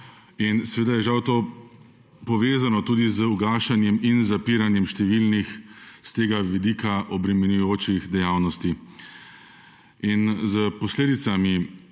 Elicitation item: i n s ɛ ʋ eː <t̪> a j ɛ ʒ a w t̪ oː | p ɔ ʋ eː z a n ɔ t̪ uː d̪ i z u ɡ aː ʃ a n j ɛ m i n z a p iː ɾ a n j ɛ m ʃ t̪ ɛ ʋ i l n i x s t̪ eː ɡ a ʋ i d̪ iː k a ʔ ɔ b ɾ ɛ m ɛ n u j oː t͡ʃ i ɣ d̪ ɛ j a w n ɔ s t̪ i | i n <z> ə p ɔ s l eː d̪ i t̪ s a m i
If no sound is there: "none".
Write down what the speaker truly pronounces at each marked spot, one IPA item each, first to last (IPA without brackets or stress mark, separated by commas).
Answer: d̪, z